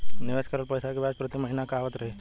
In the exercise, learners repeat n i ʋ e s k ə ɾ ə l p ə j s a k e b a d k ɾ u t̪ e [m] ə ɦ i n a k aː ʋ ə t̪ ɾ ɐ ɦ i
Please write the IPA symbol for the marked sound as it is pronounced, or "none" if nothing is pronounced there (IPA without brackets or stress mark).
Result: m